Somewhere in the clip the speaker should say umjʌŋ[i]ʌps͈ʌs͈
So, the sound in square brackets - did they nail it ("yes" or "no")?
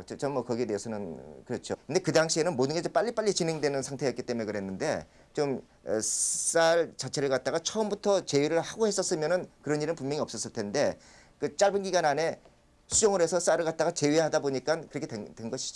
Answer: yes